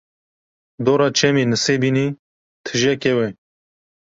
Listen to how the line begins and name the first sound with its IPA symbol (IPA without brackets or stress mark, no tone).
d̪